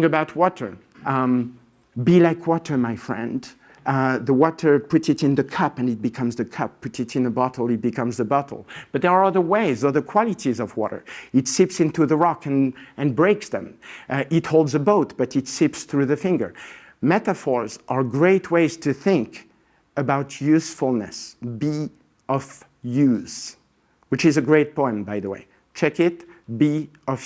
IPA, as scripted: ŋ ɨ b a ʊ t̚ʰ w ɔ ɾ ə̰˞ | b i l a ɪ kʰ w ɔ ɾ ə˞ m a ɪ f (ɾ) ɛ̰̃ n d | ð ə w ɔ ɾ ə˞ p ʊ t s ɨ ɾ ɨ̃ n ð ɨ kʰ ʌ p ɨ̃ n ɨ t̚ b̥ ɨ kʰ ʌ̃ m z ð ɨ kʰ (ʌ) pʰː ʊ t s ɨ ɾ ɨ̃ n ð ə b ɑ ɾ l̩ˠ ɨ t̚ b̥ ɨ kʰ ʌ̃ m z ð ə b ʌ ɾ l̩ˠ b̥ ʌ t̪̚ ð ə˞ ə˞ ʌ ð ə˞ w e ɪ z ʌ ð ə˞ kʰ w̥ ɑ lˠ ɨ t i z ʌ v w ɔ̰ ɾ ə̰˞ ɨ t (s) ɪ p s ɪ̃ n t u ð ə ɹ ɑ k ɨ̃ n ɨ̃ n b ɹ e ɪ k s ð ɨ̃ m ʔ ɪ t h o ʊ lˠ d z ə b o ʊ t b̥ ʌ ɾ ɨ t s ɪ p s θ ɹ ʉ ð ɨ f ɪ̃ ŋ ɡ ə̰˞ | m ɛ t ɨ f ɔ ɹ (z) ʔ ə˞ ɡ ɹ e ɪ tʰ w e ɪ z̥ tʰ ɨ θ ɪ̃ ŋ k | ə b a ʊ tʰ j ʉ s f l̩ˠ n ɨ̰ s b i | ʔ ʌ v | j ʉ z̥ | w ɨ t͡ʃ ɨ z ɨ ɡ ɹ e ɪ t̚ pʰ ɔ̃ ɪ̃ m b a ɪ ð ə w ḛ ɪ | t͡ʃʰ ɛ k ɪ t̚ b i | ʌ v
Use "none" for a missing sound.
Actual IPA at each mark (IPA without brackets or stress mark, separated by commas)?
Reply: ɹ, ʌ, s, z